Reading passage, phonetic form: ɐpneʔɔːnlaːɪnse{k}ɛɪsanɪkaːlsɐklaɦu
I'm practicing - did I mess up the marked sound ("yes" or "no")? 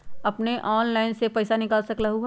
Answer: yes